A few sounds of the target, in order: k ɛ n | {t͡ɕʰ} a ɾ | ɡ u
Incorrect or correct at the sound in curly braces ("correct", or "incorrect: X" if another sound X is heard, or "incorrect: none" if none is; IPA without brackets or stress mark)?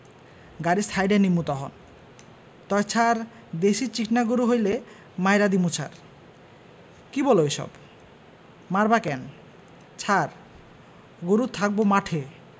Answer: correct